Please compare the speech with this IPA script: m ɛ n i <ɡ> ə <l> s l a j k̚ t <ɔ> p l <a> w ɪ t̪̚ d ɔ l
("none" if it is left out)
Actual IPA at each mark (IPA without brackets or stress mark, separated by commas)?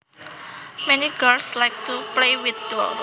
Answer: ɡ, l, u, e